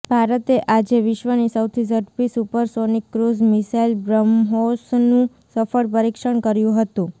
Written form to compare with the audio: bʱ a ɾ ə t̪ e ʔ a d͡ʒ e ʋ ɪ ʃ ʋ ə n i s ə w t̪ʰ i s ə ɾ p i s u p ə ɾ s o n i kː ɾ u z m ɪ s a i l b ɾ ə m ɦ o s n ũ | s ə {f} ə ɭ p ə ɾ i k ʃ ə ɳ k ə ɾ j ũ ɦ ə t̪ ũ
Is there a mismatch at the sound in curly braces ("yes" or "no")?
no